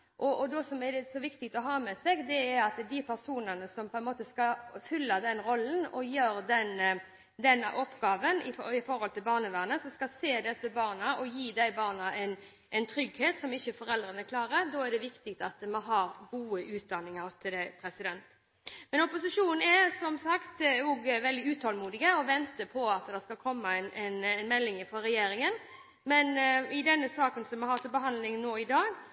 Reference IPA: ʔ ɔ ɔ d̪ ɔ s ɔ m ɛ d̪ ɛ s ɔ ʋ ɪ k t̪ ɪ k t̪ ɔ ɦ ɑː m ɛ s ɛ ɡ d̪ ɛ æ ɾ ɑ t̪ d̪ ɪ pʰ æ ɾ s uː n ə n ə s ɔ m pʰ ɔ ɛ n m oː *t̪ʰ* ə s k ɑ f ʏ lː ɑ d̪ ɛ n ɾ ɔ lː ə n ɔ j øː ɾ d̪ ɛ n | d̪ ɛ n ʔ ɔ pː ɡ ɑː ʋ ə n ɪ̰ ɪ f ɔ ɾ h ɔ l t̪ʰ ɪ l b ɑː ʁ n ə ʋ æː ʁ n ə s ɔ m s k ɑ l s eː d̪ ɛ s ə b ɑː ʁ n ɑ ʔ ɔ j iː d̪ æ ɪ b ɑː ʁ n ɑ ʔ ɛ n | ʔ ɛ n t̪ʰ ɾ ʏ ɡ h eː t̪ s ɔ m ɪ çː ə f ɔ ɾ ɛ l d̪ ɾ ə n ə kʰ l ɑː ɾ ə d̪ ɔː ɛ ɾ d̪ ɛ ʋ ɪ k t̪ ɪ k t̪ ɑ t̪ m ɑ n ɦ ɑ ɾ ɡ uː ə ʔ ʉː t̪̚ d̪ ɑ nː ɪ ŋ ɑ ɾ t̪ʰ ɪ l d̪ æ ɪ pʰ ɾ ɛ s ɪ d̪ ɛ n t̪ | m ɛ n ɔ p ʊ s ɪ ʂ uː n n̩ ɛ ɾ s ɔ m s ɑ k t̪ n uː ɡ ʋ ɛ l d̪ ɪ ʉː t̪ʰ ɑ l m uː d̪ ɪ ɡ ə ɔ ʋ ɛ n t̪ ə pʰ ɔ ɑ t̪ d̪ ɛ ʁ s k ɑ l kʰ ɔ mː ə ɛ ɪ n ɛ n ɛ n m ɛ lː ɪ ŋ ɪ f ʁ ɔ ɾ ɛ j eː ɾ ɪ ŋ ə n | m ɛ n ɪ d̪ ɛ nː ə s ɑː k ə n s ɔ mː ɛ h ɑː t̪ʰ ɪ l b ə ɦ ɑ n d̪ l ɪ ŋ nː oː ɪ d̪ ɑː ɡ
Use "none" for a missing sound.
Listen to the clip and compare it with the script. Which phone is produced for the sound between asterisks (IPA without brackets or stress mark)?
t̪